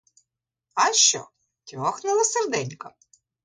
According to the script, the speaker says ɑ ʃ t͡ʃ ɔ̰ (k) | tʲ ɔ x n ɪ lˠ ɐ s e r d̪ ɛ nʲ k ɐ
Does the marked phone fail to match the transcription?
yes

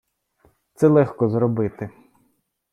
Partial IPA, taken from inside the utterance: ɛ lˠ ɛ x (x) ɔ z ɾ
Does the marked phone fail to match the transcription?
yes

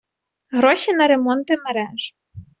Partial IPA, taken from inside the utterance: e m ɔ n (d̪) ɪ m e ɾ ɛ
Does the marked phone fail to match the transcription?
yes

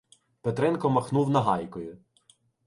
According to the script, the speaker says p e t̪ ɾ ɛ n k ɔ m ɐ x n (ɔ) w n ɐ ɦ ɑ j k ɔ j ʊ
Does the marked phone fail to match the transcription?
yes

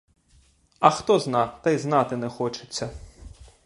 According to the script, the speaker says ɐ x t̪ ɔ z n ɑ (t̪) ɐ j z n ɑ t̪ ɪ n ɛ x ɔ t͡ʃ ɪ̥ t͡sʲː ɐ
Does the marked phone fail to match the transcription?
no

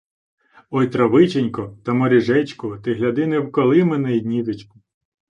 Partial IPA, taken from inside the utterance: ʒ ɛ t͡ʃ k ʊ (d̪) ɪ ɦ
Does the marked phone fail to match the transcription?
yes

